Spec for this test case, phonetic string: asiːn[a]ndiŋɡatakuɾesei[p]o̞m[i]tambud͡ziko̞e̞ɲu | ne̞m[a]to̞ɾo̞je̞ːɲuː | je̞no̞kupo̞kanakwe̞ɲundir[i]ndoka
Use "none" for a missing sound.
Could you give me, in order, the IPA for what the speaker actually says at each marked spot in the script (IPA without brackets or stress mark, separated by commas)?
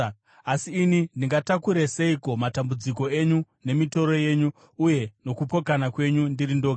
i, k, a, i, i